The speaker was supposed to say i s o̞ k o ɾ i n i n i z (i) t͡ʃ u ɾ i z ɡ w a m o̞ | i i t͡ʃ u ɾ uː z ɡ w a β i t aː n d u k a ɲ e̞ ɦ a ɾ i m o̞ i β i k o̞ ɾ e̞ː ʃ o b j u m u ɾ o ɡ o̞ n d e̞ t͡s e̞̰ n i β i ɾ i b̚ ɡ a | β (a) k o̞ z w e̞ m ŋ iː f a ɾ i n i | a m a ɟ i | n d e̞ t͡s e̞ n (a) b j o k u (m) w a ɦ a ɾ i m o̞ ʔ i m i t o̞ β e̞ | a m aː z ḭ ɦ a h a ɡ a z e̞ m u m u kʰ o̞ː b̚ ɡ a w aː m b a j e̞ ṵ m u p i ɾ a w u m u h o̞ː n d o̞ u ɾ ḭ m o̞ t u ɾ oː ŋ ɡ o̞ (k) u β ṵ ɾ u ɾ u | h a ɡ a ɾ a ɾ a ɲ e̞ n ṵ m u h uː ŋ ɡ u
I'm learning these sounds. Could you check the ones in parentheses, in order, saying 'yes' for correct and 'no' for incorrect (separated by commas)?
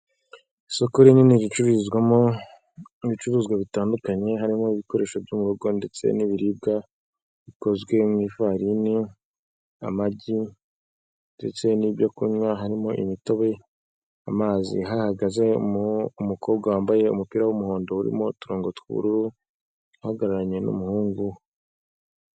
yes, no, no, no, no